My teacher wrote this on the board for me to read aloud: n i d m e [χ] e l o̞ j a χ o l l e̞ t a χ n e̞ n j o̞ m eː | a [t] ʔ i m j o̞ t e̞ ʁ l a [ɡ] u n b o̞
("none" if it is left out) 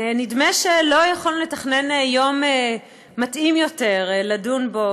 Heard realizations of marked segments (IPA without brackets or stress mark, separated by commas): ʃ, t, d